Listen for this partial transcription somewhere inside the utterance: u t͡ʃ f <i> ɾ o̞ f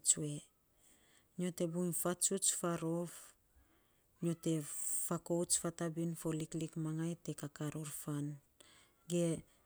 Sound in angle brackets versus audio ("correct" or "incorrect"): incorrect